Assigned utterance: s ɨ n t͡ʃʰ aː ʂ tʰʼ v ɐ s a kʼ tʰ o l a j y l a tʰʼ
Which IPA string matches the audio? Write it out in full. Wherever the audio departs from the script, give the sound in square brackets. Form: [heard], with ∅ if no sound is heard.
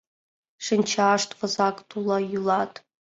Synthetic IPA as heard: [ʂ] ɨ n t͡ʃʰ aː ʂ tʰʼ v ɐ [z] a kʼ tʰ [u] l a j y l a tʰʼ